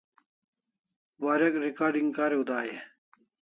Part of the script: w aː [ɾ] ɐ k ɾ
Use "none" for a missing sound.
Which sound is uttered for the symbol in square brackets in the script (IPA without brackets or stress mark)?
ɾ